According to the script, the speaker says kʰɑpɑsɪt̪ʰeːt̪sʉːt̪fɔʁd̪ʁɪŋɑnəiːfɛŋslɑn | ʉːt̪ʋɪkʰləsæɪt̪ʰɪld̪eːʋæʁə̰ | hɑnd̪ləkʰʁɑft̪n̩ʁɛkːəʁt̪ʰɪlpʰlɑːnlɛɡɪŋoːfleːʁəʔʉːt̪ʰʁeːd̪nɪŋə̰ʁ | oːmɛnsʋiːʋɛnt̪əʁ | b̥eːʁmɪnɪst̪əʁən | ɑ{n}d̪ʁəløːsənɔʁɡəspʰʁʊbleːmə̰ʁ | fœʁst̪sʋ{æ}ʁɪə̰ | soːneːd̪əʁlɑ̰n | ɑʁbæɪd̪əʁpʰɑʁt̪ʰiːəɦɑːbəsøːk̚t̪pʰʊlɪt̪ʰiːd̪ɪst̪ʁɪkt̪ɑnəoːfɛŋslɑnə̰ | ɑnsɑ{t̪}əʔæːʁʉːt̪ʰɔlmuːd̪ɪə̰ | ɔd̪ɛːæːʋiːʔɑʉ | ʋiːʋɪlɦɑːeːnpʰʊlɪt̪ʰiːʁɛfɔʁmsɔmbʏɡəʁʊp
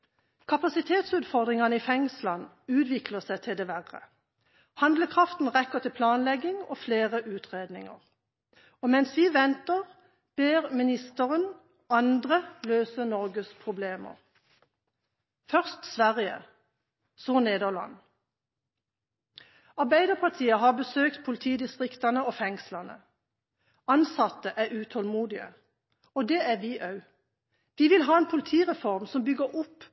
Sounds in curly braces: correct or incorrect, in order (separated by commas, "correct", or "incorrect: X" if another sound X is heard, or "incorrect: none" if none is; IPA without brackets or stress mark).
correct, correct, correct